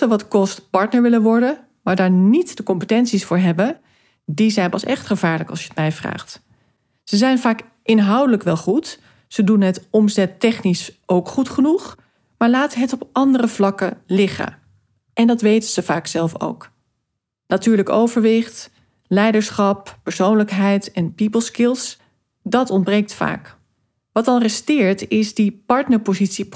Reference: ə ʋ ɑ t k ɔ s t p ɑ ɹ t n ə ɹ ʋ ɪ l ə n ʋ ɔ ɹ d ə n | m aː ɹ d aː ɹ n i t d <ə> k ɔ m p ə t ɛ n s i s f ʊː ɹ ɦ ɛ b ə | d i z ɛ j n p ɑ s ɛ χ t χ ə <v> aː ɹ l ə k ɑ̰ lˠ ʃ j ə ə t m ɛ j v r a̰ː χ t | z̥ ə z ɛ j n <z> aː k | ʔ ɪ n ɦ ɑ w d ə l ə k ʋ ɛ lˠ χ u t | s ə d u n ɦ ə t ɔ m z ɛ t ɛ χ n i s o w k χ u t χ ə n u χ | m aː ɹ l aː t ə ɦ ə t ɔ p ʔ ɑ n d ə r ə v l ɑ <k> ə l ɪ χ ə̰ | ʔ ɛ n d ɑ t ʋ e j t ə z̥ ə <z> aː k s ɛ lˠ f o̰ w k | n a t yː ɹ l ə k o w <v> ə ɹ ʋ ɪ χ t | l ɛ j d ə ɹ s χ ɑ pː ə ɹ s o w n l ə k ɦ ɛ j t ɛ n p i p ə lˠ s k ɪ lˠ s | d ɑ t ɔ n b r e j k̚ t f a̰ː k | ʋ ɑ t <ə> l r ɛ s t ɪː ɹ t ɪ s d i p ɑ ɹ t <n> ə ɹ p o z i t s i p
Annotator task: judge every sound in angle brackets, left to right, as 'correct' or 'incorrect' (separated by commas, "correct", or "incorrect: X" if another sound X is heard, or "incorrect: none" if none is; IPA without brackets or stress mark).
correct, correct, incorrect: v, correct, incorrect: v, correct, incorrect: ɑ, correct